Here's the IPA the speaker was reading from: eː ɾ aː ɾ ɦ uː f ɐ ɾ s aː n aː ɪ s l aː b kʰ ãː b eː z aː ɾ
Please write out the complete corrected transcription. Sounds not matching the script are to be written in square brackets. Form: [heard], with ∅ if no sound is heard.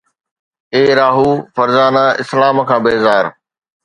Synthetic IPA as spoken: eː ɾ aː [∅] ɦ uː f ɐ ɾ [z] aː n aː ɪ s l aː [m] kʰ ãː b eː z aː ɾ